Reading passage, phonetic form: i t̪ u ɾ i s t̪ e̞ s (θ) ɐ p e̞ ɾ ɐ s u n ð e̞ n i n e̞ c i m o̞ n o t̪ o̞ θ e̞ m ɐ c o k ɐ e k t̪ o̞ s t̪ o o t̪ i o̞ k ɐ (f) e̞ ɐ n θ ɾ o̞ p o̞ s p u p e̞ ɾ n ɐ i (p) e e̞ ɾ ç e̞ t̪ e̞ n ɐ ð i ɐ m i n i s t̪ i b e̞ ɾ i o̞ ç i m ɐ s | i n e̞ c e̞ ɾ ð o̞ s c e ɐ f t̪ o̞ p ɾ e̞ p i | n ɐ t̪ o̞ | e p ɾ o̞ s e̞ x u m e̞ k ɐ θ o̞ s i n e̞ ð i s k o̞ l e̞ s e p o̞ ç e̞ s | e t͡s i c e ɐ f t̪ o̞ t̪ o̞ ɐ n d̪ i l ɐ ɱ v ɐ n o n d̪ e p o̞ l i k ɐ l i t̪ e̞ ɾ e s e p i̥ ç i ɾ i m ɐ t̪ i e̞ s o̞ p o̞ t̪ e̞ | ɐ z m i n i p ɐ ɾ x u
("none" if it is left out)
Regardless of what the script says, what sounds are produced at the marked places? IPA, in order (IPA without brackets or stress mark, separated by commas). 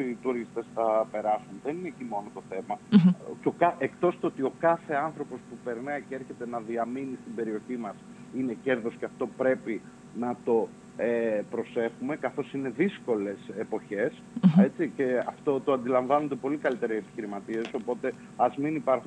θ, θ, c